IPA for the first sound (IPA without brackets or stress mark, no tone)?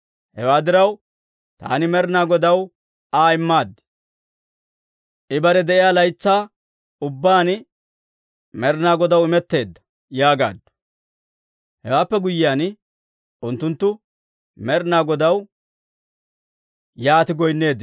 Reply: h